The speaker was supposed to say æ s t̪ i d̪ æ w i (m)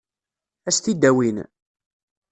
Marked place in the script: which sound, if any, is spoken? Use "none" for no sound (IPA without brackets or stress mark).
n